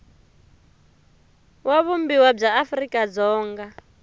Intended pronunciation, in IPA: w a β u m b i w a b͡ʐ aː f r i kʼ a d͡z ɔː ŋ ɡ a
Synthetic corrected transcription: w a β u m b i w a b͡ʐ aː f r i kʼ a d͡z ɔː ŋ ɡ a